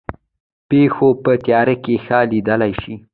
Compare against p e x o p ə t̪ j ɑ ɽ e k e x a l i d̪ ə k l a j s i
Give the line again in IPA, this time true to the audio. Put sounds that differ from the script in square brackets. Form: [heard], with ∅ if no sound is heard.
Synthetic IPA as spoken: p e x o p ə t̪ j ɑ [ɾ] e k e x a l i d̪ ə [∅] l a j [ʃ] i